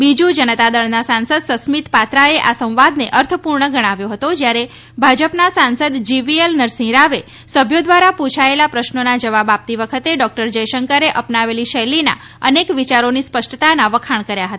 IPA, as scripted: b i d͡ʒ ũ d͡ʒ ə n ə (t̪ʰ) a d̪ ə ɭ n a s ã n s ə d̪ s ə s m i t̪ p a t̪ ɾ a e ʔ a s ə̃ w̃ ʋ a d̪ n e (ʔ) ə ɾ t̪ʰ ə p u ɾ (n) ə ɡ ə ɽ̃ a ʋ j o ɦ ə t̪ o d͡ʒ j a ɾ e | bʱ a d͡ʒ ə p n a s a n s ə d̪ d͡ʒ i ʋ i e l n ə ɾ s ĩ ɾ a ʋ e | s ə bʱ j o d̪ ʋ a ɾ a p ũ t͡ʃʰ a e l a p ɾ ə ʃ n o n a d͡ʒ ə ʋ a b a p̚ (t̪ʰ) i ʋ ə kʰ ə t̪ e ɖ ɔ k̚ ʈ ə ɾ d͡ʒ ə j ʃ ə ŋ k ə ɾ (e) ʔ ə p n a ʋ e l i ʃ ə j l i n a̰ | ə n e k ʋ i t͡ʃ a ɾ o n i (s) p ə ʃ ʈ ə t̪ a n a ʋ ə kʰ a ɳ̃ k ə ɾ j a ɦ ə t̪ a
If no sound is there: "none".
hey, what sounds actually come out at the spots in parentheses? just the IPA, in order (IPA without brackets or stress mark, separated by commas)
t̪, ʔ, ɳ, t̪, e, s